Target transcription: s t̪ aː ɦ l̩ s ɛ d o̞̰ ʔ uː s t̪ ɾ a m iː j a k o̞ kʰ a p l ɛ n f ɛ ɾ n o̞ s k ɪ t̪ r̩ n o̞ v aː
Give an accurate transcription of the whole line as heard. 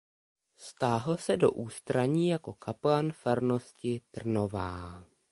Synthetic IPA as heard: s t̪ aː ɦ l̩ s ɛ d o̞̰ ʔ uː s t̪ ɾ a ɲ iː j a k o̞ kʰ a p l a n f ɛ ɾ n o̞ s c ɪ t̪ r̩ n o̞ v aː